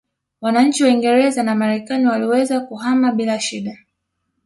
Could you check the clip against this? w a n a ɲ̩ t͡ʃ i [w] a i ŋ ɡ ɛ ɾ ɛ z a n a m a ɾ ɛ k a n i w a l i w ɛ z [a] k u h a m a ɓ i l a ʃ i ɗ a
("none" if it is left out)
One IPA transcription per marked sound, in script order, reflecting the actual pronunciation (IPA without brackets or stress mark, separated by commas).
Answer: w, a